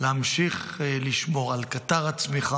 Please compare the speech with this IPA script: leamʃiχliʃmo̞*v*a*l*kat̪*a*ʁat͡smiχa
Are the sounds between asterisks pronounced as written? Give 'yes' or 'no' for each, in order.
no, yes, yes

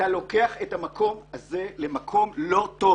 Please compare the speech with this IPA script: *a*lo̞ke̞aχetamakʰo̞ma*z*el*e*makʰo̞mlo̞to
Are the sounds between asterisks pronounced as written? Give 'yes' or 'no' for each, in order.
yes, yes, yes

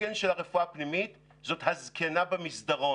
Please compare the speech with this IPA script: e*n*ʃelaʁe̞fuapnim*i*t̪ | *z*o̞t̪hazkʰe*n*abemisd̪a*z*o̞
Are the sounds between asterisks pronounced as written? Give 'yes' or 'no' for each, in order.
yes, yes, yes, yes, no

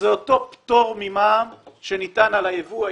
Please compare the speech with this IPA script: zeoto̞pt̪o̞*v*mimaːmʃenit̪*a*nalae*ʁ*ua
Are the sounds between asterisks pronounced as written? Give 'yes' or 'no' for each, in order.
no, yes, no

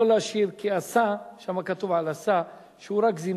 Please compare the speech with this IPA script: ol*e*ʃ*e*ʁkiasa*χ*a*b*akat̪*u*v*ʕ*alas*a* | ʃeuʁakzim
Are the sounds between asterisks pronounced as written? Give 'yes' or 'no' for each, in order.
no, no, no, no, yes, yes, yes

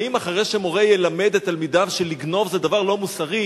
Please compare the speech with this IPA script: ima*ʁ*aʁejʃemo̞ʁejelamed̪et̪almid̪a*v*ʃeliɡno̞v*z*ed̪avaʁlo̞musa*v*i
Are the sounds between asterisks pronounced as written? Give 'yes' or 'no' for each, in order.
no, yes, yes, no

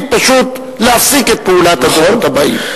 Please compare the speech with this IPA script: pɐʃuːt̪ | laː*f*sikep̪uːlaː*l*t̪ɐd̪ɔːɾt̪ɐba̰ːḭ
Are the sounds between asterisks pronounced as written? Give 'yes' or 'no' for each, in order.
yes, no

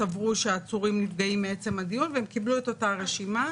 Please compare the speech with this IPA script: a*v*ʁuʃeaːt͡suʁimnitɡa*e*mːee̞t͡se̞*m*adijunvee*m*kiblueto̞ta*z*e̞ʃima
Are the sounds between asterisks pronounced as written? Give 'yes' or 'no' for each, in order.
yes, no, yes, yes, no

